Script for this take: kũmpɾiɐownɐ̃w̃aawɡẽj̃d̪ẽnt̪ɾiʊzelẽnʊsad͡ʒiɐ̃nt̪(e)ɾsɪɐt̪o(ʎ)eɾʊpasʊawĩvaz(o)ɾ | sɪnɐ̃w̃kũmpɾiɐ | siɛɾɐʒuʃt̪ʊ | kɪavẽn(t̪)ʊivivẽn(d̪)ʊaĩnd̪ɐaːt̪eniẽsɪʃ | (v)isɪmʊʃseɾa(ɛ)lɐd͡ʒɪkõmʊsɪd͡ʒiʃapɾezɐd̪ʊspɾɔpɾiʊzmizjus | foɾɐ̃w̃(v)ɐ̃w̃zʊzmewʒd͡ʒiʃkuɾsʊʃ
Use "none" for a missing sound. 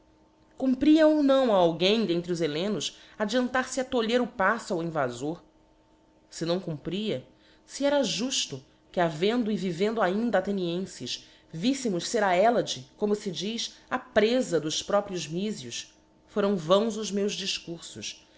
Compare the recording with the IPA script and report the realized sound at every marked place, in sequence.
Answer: a, ʎ, o, d̪, d̪, v, ɛ, v

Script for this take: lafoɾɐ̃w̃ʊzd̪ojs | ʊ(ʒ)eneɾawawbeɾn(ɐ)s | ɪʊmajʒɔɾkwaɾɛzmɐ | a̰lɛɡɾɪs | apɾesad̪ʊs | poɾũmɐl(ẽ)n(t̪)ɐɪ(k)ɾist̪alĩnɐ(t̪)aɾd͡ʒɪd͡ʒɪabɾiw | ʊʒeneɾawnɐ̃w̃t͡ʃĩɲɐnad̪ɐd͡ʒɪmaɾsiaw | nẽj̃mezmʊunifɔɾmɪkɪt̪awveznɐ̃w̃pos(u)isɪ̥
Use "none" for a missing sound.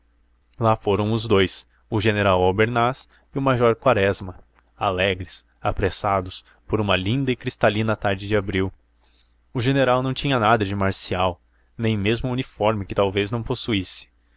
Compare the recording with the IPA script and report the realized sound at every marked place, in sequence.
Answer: ʒ, a, ĩ, d̪, k, t̪, u

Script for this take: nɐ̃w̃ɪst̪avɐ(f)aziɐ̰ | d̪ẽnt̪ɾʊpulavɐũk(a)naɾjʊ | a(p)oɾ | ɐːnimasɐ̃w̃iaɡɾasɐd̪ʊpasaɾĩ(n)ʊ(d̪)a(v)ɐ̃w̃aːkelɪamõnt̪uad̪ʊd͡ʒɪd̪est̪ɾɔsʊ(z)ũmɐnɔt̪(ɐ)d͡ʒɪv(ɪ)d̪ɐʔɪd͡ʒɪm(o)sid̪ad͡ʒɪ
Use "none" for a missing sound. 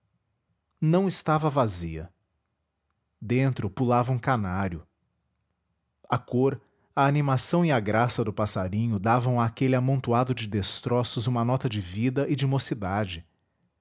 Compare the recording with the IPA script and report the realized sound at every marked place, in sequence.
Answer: v, a, k, ɲ, d̪, v, z, ɐ, i, o

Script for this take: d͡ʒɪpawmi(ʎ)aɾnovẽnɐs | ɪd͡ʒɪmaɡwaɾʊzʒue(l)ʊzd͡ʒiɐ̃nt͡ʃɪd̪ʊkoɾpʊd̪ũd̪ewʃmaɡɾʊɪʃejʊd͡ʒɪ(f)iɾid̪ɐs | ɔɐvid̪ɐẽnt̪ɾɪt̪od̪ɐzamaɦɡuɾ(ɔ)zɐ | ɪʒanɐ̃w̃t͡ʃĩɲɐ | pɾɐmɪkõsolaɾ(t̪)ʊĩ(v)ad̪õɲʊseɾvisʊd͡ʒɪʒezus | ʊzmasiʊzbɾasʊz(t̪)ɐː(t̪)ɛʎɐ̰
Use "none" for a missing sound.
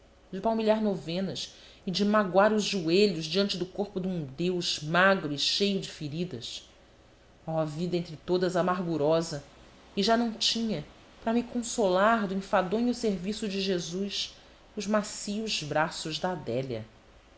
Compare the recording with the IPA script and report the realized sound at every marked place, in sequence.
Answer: ʎ, ʎ, f, ɔ, d̪, f, d̪, d̪

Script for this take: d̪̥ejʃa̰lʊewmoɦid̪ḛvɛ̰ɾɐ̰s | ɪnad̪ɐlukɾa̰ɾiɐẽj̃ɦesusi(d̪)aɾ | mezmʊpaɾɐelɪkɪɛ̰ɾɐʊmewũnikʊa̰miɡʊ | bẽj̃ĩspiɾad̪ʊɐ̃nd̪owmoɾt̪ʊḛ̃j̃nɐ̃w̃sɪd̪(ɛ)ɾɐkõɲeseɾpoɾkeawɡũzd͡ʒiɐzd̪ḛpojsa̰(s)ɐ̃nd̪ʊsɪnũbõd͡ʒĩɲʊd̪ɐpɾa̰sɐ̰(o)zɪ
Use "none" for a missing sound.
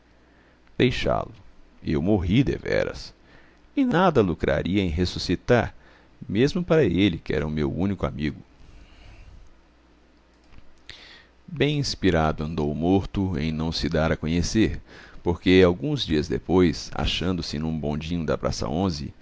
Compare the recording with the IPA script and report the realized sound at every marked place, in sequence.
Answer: t̪, a, ʃ, õ

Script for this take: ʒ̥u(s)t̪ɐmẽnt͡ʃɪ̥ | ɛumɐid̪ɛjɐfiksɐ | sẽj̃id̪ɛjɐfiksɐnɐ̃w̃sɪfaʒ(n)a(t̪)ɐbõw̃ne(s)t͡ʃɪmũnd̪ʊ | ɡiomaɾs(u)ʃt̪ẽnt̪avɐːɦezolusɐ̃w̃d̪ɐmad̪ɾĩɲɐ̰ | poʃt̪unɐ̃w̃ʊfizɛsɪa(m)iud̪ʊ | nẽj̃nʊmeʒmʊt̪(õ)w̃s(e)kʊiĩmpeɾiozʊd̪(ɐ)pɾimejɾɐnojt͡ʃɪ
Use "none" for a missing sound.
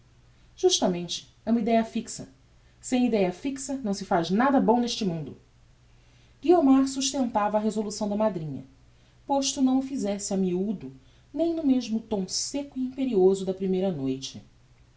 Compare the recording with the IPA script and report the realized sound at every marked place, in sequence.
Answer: ʃ, n, d̪, ʃ, u, m, õ, e, ɐ

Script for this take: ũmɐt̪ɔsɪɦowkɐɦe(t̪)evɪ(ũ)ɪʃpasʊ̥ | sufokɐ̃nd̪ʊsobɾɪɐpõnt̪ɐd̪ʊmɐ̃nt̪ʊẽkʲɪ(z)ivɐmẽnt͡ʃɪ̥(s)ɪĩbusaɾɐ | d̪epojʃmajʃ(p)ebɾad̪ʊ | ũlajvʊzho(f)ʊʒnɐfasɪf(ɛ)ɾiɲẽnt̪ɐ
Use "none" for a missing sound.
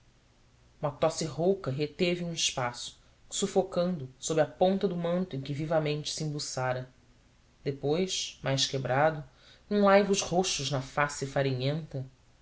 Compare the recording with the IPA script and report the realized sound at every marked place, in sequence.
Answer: t̪, ũ, v, s, k, ʃ, a

